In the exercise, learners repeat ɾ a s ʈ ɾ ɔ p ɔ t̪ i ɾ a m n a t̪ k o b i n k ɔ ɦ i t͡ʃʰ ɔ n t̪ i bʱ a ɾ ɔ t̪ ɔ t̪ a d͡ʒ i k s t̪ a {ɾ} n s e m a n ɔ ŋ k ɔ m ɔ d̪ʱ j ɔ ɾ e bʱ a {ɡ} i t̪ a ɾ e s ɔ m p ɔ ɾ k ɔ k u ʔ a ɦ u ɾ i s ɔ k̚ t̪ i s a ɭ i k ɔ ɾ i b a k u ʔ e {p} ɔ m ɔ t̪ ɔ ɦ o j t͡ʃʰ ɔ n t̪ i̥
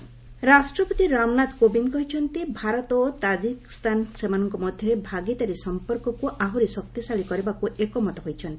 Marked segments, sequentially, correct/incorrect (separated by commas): incorrect, correct, incorrect